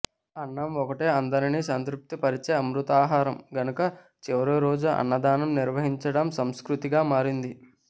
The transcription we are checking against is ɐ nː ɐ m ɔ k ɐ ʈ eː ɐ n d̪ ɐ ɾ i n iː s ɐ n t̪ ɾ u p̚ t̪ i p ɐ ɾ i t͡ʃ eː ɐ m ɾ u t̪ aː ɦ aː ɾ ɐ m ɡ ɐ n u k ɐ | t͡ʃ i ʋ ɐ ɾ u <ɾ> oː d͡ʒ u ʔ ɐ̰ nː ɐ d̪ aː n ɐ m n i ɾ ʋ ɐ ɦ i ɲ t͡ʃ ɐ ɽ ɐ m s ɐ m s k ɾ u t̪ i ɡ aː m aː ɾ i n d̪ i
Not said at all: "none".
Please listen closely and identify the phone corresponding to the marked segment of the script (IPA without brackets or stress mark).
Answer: ɾ